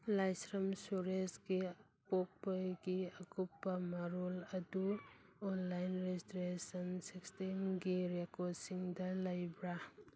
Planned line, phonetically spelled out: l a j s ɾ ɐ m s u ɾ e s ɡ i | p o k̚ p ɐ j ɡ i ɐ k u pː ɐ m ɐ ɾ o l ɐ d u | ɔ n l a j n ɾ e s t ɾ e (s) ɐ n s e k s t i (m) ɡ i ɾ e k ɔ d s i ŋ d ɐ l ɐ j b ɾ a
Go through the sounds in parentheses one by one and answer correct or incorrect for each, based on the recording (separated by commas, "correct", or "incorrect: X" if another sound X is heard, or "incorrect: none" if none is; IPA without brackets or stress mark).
correct, correct